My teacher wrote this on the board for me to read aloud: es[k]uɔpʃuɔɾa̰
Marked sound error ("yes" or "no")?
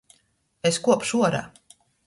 no